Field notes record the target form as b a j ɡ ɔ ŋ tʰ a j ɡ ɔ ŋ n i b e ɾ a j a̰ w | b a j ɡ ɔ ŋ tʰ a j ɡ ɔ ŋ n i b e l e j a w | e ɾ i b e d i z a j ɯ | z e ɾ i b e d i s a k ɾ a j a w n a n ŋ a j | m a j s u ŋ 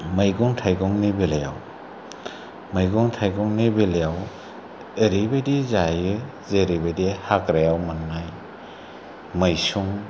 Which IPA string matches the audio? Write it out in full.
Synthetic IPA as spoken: m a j ɡ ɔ ŋ tʰ a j ɡ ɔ ŋ n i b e l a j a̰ w | m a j ɡ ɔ ŋ tʰ a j ɡ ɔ ŋ n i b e l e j a w | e ɾ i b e d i z a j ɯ | z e ɾ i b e d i h a k ɾ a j a w m a n ŋ a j | m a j s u ŋ